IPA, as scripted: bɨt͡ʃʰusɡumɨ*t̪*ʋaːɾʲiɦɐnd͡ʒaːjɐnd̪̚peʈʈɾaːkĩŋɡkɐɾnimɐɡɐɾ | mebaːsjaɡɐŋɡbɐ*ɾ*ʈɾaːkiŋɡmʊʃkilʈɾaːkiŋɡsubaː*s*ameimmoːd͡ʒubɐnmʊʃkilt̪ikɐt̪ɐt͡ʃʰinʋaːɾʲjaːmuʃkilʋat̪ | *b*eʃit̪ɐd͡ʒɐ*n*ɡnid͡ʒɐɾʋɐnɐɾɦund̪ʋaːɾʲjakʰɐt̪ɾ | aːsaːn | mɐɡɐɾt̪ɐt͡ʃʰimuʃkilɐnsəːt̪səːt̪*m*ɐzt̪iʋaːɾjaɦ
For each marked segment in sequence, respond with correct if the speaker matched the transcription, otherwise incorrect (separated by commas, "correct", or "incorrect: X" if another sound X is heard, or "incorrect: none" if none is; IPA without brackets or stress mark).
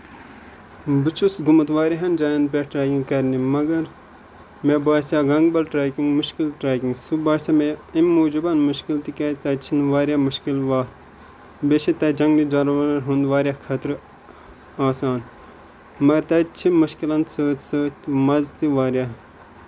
correct, incorrect: l, correct, correct, incorrect: ŋ, correct